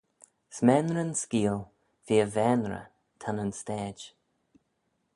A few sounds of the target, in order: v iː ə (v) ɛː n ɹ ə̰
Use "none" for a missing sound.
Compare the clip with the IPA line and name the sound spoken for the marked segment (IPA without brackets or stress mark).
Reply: v